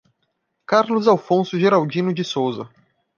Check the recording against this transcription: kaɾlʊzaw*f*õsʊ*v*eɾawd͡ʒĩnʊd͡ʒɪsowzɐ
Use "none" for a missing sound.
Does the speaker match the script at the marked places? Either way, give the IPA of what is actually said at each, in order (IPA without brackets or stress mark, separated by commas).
f, ʒ